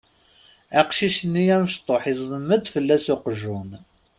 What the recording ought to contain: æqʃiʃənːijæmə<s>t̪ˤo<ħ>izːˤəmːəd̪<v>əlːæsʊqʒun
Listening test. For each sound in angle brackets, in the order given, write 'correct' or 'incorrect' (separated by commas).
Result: incorrect, correct, incorrect